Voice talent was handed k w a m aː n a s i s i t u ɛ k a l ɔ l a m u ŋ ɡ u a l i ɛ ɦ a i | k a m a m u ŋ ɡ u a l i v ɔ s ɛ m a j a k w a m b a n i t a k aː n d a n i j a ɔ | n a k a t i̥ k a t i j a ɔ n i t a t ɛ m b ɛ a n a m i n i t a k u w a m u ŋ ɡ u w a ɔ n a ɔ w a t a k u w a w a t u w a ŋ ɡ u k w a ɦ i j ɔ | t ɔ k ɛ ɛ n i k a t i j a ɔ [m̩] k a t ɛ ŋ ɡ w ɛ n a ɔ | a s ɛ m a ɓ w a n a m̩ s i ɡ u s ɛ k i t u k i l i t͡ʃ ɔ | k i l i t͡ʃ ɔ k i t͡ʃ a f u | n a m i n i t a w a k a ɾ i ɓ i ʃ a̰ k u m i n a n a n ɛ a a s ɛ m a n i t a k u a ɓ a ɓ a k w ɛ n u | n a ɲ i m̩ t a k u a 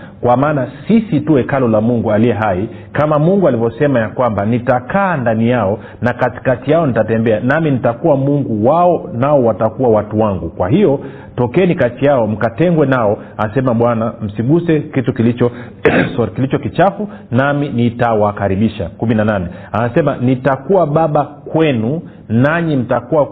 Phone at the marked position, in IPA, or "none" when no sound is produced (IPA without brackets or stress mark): m̩